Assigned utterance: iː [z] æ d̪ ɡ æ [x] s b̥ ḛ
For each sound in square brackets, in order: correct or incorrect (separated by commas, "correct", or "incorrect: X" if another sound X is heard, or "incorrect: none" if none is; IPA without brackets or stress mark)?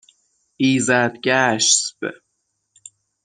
correct, incorrect: ʃ